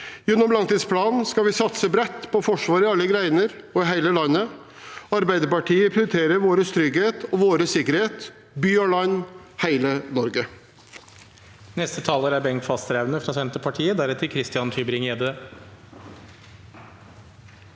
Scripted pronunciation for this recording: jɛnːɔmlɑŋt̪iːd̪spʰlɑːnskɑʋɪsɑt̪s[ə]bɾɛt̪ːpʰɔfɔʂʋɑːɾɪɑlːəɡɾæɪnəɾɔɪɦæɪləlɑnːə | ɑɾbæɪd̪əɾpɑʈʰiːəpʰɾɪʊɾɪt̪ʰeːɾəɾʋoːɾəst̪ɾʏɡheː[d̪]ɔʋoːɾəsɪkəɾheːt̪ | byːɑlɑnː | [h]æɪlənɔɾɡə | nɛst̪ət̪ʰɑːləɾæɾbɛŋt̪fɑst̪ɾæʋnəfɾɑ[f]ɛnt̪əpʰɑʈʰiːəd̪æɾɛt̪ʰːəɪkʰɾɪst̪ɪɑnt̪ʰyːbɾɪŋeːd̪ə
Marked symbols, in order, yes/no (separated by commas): yes, no, yes, no